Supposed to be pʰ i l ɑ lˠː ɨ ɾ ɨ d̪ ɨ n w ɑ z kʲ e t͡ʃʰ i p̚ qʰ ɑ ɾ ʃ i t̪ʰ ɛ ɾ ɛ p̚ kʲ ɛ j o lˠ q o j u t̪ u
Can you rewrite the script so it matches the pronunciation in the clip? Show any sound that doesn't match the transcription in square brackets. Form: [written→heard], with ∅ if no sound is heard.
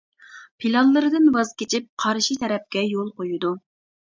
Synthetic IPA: pʰ i l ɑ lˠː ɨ ɾ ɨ d̪ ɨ n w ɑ z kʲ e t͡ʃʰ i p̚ qʰ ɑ ɾ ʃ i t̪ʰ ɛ ɾ ɛ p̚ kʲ ɛ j o lˠ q o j u [t̪→d̪] u